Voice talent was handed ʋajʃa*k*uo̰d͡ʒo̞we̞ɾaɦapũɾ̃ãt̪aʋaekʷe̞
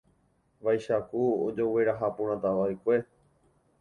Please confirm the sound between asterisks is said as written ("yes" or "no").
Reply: yes